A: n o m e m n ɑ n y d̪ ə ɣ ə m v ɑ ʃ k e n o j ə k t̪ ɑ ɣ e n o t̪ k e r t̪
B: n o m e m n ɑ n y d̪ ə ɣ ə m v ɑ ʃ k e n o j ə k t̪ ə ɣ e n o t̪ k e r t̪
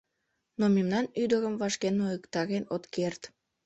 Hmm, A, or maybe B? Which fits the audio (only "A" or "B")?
A